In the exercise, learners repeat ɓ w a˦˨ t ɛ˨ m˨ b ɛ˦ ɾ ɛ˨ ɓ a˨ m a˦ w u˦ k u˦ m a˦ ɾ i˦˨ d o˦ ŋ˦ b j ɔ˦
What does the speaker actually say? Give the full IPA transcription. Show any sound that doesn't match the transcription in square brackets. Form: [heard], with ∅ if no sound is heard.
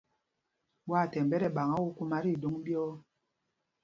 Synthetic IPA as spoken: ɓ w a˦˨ t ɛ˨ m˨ b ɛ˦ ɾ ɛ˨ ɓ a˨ [ŋ] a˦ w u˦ k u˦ m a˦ ɾ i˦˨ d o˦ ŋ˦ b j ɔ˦